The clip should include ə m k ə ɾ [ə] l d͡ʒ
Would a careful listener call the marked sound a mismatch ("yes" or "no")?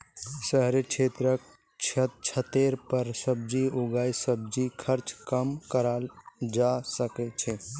yes